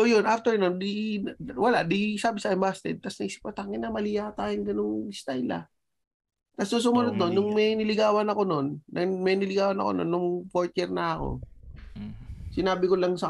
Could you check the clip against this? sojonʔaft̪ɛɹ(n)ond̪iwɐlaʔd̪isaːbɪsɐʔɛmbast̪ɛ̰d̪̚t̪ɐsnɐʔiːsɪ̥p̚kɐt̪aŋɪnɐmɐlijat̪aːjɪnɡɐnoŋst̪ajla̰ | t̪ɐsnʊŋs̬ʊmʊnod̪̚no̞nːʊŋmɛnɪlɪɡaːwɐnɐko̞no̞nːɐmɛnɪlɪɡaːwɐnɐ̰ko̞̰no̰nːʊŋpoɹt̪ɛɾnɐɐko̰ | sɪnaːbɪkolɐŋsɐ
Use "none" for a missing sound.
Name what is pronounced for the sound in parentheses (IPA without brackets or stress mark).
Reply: n